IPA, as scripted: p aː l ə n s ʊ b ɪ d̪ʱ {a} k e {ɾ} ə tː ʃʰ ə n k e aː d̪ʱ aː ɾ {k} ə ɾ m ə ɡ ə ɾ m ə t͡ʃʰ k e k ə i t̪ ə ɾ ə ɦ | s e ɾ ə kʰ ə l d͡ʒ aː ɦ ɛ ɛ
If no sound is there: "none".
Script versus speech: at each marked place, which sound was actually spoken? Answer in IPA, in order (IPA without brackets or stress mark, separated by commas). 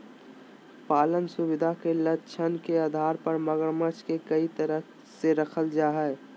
a, l, p